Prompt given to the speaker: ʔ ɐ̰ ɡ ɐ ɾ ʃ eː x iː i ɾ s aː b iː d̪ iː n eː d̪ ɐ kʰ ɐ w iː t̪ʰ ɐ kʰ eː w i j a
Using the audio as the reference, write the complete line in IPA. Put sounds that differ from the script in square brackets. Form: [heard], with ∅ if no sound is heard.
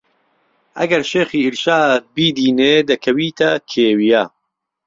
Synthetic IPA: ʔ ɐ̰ ɡ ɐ ɾ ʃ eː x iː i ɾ [ʃ] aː b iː d̪ iː n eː d̪ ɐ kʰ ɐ w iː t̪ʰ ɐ kʰ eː w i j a

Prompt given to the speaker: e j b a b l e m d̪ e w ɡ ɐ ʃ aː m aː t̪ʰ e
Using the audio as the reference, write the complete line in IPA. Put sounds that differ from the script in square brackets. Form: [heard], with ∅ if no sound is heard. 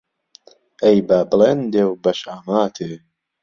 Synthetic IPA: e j b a b l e [n] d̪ e w [b] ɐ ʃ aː m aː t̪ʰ e

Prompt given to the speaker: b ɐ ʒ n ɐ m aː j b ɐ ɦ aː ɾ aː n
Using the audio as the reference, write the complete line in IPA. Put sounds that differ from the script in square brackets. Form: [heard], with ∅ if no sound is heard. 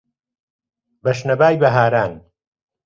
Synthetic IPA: b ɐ [ʃ] n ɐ [b] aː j b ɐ ɦ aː ɾ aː n

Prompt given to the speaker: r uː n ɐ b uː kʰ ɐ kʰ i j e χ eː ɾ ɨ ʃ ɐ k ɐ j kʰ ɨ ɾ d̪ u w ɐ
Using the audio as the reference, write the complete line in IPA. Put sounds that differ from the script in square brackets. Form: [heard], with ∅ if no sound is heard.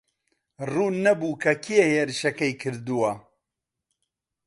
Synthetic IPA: r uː n ɐ b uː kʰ ɐ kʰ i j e [h] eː ɾ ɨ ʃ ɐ k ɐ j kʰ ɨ ɾ d̪ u w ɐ

